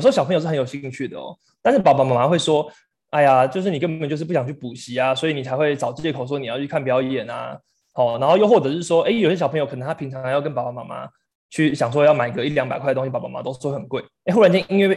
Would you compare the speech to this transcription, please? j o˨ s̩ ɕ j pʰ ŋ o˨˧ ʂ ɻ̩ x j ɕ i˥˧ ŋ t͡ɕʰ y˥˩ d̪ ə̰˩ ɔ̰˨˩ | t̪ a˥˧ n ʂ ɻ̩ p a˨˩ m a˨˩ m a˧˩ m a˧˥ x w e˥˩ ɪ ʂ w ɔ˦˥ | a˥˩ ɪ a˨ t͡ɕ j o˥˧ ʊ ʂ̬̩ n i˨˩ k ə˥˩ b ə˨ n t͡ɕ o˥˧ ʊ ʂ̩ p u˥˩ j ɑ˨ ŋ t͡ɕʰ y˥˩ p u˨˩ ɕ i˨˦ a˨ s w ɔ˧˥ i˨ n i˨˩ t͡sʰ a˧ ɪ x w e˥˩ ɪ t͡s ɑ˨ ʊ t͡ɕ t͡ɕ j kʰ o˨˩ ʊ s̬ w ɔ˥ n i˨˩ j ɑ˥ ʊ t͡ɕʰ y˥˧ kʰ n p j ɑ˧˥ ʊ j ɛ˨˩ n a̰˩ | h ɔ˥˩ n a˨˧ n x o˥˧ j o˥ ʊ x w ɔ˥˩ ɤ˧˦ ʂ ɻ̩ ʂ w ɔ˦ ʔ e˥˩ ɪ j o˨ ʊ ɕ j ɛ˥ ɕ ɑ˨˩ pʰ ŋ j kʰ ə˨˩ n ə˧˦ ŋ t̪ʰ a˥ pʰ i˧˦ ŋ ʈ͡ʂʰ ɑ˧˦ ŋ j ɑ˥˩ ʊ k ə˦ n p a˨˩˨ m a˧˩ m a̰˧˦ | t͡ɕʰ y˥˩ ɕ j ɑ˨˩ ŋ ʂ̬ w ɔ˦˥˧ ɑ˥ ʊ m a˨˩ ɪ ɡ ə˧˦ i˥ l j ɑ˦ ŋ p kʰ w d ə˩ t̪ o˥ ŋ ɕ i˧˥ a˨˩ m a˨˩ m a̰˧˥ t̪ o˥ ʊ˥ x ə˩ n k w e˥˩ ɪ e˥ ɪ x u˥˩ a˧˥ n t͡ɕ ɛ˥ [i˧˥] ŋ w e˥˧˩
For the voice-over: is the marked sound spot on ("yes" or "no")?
no